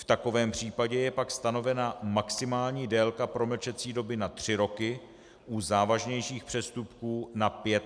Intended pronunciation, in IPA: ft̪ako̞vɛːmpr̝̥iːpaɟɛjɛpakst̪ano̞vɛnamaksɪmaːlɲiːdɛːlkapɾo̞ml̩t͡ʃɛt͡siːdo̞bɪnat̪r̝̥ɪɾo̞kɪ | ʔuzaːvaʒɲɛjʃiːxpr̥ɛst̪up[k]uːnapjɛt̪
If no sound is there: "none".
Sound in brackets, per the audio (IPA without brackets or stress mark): k